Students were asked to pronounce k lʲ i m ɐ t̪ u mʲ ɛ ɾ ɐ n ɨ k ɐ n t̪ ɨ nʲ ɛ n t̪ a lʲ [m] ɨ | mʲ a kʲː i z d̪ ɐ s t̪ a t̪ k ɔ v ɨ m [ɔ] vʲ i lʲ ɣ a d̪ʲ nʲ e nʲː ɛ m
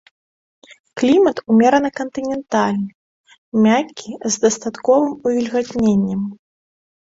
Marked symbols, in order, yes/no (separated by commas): no, no